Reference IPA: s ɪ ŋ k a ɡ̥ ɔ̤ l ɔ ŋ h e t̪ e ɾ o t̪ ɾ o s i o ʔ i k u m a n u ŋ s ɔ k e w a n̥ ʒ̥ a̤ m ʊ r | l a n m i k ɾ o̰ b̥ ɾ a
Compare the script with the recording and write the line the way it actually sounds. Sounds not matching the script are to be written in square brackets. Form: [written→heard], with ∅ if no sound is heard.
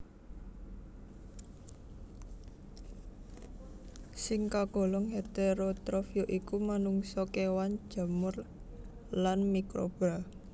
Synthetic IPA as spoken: s ɪ ŋ k a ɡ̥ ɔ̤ l ɔ ŋ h e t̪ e ɾ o t̪ ɾ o [s→f] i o ʔ i k u m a n u ŋ s ɔ k e w a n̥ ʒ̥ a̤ m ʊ r | l a n m i k ɾ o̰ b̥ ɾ a